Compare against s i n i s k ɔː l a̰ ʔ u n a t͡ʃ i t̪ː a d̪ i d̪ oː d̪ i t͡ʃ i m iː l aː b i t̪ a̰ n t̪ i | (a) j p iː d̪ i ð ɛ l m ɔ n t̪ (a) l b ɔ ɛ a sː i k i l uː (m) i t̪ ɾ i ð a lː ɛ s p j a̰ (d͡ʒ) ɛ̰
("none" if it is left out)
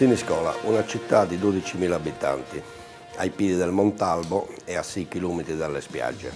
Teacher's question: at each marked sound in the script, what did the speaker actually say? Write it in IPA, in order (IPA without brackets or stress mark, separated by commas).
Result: a, a, m, d͡ʒː